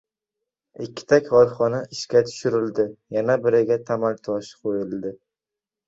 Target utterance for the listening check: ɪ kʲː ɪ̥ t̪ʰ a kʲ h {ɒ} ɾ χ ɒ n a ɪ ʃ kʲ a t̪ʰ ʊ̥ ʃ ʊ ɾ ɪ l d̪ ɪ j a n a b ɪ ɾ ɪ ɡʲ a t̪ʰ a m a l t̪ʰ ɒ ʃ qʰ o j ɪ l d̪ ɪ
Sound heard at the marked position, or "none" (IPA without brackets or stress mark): ɒ